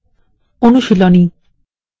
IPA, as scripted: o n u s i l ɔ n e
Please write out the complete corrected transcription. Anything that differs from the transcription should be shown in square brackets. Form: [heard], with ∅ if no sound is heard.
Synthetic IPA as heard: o n u [ʃ] i l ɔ n [i]